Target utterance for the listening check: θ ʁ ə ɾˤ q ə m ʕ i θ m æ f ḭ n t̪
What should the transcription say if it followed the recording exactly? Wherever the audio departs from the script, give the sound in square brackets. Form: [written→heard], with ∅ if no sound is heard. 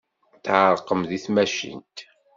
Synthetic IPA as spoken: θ [ʁ→ʕ] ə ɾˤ q ə m [ʕ→ð] i θ m æ [f→ʃ] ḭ n t̪